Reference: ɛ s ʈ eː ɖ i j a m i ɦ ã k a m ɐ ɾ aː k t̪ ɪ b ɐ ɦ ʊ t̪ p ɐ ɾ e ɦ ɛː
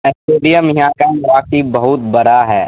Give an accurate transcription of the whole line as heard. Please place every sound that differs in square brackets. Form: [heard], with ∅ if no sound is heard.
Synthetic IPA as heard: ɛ s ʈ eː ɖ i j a m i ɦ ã k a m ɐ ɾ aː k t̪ [i] b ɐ ɦ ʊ t̪ [b] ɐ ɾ [a] ɦ ɛː